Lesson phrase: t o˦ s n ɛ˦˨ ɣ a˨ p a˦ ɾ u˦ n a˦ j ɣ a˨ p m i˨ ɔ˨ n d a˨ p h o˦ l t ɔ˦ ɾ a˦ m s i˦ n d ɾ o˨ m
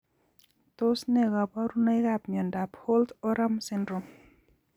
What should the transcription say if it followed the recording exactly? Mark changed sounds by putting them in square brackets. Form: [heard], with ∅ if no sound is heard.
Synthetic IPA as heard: t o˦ s n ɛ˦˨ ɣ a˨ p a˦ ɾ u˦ n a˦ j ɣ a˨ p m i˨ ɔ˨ n d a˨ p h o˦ l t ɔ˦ ɾ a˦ m s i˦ n d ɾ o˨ m